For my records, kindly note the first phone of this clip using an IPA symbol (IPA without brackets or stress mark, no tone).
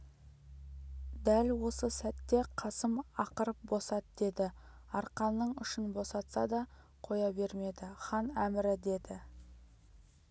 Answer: d̪